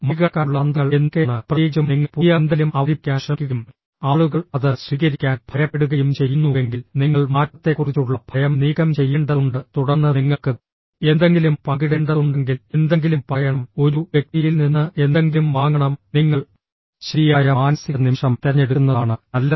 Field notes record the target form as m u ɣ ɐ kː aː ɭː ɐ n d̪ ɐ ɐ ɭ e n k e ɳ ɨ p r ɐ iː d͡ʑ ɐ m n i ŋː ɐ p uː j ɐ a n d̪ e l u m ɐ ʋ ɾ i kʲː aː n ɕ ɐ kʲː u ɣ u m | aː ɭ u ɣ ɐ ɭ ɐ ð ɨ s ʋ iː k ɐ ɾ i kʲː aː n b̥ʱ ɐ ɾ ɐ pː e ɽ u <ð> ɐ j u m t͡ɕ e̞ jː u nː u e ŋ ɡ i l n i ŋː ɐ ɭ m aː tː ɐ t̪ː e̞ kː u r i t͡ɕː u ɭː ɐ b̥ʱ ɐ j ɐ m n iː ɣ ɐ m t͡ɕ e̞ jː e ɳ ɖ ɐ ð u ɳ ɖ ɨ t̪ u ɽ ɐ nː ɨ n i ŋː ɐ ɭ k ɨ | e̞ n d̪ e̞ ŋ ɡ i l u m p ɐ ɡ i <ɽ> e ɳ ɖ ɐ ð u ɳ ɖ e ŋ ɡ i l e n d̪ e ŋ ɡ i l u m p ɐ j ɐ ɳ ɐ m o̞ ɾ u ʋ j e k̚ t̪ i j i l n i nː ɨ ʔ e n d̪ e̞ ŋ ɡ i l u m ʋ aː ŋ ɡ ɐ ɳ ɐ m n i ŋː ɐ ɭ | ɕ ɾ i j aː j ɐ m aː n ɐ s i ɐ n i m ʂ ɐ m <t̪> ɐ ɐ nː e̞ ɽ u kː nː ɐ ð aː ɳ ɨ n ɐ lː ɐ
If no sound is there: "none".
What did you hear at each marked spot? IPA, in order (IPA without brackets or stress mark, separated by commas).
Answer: ɣ, ɽ, t̪